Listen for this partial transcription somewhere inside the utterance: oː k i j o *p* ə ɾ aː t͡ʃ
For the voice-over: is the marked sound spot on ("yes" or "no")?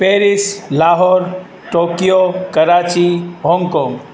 no